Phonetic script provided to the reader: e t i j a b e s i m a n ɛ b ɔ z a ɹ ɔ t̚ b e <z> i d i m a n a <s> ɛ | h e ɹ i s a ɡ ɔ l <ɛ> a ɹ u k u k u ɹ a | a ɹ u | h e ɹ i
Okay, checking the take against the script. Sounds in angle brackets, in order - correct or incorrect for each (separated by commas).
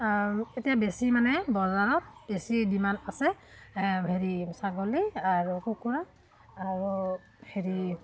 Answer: incorrect, correct, incorrect